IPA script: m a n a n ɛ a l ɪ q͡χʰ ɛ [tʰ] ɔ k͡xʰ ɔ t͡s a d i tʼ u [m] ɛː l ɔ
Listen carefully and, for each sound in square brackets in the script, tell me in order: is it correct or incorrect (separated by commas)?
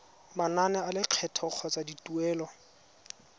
correct, incorrect